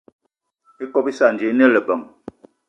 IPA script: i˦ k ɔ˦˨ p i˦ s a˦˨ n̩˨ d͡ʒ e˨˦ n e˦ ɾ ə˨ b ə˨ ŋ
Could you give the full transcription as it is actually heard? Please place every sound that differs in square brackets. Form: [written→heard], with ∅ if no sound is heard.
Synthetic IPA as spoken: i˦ k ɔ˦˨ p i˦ s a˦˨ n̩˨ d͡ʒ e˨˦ n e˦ [ɾ→l] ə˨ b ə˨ ŋ